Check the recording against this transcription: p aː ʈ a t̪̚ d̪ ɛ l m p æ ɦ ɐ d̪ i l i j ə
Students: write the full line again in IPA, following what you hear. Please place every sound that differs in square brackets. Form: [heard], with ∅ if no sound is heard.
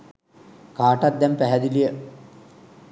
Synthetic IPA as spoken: [k] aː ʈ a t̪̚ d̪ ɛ [∅] m p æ ɦ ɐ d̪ i l i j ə

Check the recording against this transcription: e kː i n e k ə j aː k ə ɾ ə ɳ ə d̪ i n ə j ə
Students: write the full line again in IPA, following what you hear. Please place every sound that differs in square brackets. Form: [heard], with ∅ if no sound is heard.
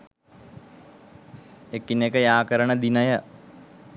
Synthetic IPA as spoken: e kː i n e k ə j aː k ə ɾ ə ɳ ə d̪ i n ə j ə

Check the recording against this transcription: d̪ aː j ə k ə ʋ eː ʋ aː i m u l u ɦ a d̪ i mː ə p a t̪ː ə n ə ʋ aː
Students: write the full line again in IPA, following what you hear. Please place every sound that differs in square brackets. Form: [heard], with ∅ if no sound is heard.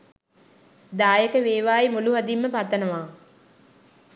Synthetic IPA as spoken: d̪ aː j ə k ə ʋ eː ʋ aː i m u l u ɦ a d̪ i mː ə p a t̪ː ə n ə ʋ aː

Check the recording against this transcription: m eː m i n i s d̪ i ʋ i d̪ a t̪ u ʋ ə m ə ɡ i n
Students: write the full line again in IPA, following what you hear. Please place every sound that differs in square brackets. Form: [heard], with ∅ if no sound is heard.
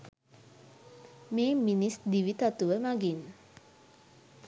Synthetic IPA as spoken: m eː m i n i s d̪ i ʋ i [t̪] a t̪ u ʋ ə m [a] ɡ i n

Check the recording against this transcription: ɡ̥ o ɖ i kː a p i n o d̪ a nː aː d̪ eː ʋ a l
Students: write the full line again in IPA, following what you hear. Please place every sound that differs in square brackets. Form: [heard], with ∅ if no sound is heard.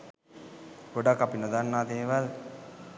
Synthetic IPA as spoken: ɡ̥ o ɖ [a] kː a p i n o d̪ a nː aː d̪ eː ʋ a l

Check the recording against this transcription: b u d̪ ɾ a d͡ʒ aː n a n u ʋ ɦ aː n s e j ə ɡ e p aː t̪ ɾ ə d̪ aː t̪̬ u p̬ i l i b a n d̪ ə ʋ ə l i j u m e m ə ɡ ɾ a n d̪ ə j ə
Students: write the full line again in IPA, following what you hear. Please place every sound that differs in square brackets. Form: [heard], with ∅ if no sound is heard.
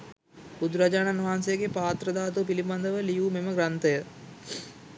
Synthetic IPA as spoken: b u d̪ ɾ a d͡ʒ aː n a n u ʋ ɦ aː n s e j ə ɡ e p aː t̪ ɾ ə d̪ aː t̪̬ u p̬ i l i b a n d̪ ə ʋ ə l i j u m e m ə ɡ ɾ a n [t̪] ə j ə

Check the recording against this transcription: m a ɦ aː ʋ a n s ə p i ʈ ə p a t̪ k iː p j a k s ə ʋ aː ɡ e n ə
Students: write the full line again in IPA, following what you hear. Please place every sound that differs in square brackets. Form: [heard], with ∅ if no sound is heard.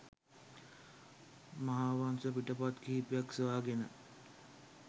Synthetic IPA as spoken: m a ɦ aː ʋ a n s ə p i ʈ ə p a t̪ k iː p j a k s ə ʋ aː ɡ e n ə

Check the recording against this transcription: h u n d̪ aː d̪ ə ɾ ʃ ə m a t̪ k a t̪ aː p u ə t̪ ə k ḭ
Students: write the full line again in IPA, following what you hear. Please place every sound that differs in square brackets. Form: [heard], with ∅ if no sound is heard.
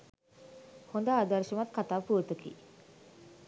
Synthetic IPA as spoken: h [o] n d̪ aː d̪ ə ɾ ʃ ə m a t̪ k a t̪ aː p u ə t̪ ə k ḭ

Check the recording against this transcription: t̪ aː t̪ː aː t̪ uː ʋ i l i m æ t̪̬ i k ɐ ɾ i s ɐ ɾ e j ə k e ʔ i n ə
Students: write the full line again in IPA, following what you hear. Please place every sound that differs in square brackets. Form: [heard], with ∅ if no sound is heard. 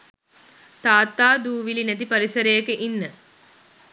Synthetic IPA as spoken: t̪ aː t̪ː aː [d̪] uː ʋ i l i [n] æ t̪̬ i [p] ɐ ɾ i s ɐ ɾ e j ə k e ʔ i [nː] ə

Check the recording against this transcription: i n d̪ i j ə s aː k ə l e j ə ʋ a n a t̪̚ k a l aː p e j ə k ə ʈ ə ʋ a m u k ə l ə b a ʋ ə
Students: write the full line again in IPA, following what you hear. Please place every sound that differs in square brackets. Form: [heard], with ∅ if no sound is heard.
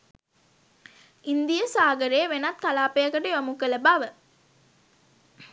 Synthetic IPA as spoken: i n d̪ i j ə s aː [ɡ] ə [ɾ] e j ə ʋ [e] n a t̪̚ k a l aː p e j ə k ə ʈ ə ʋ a m u k ə l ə b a ʋ ə

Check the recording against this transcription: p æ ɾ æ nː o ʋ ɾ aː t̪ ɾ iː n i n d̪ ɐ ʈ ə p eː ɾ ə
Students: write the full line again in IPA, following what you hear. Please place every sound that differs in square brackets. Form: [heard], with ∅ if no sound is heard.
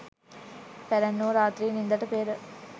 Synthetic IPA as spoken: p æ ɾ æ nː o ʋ ɾ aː t̪ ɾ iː n i n d̪ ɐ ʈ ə p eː ɾ ə

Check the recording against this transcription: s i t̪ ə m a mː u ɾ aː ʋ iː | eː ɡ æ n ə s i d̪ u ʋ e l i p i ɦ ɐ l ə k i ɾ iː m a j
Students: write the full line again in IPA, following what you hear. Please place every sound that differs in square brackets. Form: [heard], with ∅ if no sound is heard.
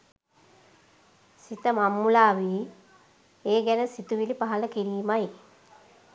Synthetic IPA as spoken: s i t̪ ə m a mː u [l] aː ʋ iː | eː ɡ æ n ə s i [t̪] u ʋ [i] l i p [a] ɦ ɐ l ə k i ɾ iː m a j

